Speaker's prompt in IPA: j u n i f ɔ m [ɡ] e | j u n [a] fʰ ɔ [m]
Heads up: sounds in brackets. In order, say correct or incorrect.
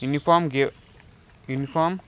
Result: correct, incorrect, correct

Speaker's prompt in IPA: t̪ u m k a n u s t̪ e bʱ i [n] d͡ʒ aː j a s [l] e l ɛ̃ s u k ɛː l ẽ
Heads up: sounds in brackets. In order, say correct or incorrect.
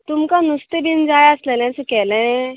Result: correct, correct

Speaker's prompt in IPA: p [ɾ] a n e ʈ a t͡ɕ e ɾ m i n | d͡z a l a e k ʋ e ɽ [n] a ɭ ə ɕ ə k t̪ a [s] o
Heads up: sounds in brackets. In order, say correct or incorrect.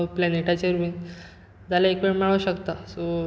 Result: incorrect, incorrect, correct

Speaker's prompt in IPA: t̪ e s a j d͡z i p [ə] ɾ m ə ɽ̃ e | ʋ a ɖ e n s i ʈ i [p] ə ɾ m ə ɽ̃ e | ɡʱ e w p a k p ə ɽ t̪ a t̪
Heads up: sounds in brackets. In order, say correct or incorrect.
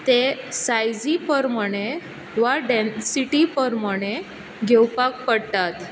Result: correct, correct

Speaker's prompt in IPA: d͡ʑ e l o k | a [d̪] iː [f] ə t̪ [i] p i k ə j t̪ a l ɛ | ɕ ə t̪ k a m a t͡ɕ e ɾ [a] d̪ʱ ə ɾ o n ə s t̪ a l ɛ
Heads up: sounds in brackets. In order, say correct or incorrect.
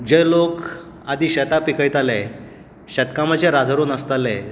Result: correct, incorrect, incorrect, correct

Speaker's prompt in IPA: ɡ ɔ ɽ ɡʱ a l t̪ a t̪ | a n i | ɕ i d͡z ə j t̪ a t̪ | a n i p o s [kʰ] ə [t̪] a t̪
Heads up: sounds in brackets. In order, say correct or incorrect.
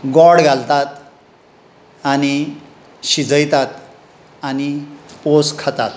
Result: correct, correct

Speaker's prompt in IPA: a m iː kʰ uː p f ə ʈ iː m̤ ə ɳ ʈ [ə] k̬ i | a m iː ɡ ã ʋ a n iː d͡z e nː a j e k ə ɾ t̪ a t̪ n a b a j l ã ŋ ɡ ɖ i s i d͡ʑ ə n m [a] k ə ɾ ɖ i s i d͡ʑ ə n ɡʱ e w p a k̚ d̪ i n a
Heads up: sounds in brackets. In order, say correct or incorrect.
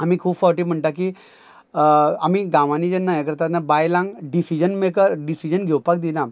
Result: incorrect, incorrect

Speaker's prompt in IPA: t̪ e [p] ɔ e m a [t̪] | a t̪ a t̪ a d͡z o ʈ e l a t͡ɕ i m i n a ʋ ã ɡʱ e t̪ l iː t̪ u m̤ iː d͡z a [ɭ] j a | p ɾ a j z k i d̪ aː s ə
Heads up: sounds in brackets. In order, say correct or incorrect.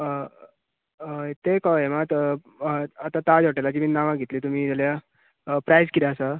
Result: incorrect, correct, incorrect

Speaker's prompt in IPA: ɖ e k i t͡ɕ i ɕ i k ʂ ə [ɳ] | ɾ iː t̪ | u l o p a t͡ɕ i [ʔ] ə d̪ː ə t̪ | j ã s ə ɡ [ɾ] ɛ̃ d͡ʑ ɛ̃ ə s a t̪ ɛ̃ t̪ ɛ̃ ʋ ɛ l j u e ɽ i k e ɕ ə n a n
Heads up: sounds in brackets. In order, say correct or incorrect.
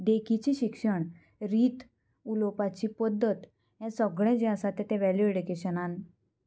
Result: correct, incorrect, incorrect

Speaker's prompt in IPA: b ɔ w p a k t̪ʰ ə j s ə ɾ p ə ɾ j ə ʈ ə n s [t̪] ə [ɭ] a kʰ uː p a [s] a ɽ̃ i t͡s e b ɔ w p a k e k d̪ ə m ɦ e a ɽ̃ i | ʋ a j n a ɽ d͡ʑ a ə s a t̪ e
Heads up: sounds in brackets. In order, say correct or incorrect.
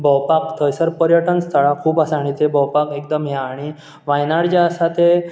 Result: incorrect, correct, correct

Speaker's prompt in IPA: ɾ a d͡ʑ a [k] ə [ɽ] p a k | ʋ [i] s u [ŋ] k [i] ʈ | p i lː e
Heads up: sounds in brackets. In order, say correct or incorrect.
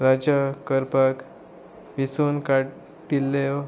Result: correct, incorrect, correct, incorrect, incorrect

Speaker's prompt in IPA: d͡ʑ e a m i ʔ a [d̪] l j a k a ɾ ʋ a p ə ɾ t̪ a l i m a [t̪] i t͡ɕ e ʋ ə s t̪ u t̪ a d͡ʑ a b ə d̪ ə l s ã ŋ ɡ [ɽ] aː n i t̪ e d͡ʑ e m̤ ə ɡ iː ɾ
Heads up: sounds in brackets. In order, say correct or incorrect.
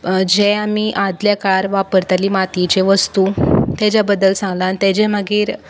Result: correct, correct, incorrect

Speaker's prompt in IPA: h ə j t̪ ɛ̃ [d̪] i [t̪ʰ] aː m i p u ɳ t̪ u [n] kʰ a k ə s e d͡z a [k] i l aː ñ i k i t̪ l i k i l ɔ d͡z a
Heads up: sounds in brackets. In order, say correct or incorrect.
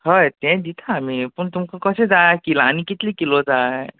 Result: correct, correct, incorrect, correct

